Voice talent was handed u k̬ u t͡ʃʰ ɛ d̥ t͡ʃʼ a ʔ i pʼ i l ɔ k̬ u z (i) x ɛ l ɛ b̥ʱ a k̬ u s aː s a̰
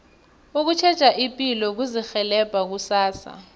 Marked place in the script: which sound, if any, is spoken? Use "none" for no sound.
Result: i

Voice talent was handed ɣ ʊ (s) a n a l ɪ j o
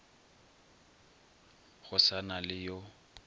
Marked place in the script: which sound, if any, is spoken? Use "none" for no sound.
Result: s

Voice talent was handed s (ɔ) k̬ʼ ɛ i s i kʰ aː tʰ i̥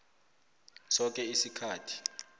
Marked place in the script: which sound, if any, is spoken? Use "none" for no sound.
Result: ɔ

